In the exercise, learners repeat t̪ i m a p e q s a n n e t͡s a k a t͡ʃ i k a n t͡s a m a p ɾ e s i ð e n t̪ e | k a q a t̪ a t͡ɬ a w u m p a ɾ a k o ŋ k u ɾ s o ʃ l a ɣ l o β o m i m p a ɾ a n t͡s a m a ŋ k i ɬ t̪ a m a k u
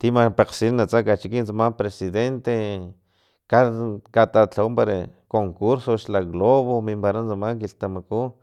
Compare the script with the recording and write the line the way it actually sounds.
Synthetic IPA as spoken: t̪ i m a p e q s i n n a t͡s a k a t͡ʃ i k i n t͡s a m a p ɾ e s i ð e n t̪ e | k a k a t̪ a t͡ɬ a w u m p a ɾ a k o ŋ k u ɾ s o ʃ l a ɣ l o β o m i m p a ɾ a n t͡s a m a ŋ k i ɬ t̪ a m a k u